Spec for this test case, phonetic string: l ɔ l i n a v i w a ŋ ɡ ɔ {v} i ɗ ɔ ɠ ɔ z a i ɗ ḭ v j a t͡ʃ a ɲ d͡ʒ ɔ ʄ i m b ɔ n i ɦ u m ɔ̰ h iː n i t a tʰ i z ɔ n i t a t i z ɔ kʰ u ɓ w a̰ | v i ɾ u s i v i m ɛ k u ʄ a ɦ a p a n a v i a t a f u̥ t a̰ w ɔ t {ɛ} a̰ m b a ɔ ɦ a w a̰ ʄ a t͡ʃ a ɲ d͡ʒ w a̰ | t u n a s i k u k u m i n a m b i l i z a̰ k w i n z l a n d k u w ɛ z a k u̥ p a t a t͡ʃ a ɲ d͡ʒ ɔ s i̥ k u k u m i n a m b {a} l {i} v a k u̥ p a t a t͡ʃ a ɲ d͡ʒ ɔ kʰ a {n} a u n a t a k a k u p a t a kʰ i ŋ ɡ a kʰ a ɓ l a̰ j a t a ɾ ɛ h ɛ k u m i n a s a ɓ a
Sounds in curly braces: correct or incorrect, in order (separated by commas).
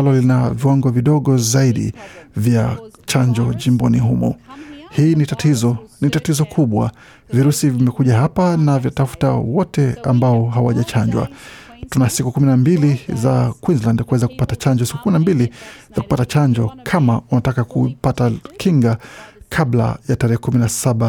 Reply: correct, correct, incorrect, correct, incorrect